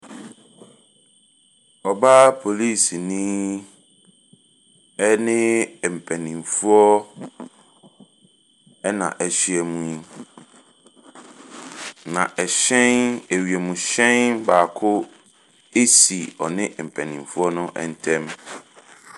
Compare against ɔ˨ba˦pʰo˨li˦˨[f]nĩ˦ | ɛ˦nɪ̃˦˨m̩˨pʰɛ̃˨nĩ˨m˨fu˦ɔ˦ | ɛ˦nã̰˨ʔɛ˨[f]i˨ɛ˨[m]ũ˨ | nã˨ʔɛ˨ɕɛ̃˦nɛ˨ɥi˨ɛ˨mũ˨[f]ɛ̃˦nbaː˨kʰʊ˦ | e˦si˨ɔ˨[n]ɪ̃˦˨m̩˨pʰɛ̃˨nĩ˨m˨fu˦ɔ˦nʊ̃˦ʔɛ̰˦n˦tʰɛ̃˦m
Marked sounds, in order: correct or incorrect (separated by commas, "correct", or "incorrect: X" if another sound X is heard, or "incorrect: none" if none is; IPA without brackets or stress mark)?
incorrect: s, incorrect: ɕ, correct, incorrect: ɕ, correct